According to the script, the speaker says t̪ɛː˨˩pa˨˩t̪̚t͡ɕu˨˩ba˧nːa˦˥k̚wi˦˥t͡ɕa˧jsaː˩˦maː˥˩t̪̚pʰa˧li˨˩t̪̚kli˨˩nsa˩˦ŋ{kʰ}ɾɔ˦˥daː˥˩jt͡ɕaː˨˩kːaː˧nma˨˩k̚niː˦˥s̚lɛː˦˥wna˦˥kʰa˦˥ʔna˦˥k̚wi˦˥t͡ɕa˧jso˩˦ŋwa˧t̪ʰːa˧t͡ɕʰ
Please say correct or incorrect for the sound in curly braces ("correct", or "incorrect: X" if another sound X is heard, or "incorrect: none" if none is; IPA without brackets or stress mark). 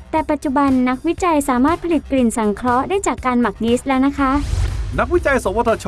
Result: correct